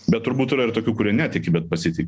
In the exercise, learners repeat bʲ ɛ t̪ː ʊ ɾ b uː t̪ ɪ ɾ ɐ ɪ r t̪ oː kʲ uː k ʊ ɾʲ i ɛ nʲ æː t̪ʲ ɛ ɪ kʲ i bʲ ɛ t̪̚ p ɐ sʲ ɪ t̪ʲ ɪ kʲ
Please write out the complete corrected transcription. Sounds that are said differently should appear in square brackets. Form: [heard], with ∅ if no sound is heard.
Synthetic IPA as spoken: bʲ ɛ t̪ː ʊ ɾ b uː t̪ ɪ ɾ ɐ ɪ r t̪ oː kʲ uː k ʊ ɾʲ i ɛ nʲ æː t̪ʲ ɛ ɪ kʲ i bʲ ɛ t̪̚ p ɐ sʲ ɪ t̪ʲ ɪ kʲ